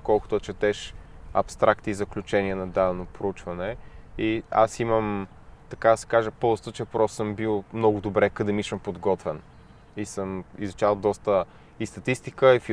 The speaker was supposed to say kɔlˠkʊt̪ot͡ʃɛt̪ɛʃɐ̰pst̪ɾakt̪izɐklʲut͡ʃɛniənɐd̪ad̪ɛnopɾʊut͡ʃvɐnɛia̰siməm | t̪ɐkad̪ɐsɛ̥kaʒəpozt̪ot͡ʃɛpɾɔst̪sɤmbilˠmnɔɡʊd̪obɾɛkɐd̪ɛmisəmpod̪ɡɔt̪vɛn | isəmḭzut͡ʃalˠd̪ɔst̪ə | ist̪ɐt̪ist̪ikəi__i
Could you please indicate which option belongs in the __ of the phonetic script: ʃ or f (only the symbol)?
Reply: f